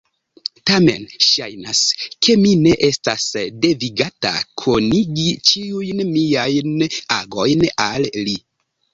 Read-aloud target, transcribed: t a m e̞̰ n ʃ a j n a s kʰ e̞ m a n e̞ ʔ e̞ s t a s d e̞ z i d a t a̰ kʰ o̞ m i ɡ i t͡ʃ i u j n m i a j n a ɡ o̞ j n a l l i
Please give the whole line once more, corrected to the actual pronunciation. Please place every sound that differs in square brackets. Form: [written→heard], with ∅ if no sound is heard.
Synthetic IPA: t a m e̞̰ n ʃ a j n a s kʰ e̞ m [a→i] n e̞ ʔ e̞ s t a s d e̞ [z→v] i [d→ɡ] a t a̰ kʰ o̞ [m→n] i ɡ i t͡ʃ i u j n m i a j n a ɡ o̞ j n a l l i